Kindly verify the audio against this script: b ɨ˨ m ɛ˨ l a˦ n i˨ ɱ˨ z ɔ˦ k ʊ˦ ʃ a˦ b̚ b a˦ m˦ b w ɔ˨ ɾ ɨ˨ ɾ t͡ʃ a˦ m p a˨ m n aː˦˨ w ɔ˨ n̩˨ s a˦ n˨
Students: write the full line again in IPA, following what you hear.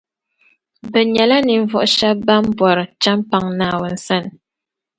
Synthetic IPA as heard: b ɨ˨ ɲ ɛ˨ l a˦ n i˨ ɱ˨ v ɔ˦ ʔ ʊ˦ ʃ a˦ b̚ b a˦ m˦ b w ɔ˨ ɾ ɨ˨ t͡ʃ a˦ m p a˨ ŋ n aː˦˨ w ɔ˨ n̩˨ s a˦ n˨